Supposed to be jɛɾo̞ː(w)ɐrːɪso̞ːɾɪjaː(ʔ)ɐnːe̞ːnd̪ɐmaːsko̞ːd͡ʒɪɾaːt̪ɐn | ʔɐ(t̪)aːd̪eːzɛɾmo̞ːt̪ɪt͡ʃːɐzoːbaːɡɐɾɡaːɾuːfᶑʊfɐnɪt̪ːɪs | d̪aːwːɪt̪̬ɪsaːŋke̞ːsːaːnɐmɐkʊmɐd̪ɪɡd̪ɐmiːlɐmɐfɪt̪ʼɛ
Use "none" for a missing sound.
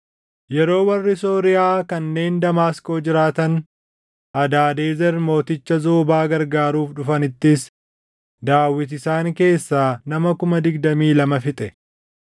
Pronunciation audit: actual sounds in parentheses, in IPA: w, k, d̪

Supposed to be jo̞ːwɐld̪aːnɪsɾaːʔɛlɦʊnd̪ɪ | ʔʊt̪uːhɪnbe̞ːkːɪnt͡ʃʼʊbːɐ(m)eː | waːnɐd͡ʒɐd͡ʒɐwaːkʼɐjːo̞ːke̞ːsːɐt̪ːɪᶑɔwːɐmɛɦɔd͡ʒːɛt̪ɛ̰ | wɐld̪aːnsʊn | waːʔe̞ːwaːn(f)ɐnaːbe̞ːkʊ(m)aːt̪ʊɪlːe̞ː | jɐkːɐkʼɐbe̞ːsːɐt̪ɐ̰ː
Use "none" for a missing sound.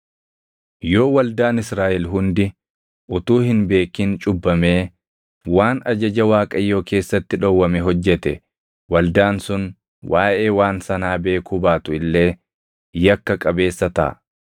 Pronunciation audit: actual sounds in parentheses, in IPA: m, s, b

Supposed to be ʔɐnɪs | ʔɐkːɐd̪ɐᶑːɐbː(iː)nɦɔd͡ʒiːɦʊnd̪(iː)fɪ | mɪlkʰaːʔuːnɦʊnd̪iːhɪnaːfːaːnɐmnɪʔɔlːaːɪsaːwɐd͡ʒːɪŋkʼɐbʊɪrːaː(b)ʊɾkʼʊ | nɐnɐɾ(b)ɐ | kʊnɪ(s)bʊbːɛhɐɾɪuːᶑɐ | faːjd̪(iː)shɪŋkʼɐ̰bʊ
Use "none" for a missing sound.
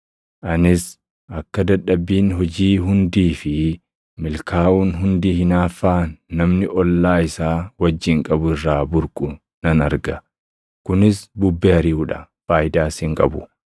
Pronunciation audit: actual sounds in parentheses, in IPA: iː, iː, b, ɡ, s, aː

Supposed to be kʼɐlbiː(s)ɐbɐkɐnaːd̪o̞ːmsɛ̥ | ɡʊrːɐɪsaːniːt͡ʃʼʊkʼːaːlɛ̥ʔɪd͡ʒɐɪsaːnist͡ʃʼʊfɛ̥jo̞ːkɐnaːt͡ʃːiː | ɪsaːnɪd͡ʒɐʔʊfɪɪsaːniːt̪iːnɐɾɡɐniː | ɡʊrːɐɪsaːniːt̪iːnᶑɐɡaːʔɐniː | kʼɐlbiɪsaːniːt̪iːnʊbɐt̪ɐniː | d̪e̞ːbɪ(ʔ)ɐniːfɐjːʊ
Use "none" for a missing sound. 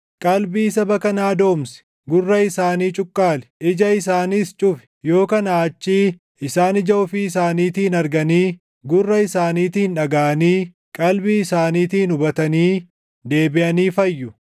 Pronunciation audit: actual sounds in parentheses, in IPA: s, ʔ

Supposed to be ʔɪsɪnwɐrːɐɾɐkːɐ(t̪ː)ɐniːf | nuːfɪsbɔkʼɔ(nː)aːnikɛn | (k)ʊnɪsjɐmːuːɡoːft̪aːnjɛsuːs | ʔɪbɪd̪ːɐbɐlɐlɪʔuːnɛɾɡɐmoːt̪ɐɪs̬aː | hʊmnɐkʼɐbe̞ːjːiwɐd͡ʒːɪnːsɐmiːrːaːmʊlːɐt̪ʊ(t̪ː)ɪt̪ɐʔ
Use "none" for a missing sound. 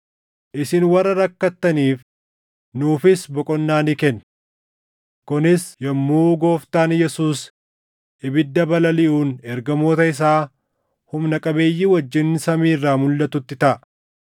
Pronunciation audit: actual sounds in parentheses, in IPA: t̪ː, nː, k, t̪ː

